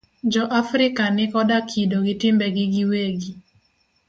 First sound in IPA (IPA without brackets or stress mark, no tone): d͡ʒ